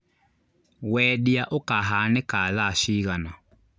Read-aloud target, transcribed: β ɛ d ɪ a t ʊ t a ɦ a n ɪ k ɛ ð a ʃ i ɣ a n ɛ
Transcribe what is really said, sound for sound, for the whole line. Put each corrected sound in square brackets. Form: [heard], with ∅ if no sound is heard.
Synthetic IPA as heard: [w] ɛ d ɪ a [ʔ] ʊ [k] a ɦ a n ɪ k [a] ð a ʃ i ɣ a n [a]